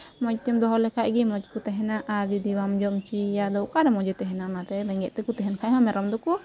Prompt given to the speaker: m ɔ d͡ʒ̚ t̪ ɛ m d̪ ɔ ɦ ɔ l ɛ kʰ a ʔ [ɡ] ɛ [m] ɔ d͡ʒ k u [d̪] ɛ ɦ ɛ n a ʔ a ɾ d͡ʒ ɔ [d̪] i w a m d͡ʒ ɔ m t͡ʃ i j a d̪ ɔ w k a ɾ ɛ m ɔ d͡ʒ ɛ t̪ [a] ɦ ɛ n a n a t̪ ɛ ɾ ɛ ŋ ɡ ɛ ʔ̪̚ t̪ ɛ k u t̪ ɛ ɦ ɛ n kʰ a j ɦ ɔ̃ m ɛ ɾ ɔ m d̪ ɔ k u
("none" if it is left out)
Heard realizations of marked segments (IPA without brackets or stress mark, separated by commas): ɡ, m, t̪, d̪, ɛ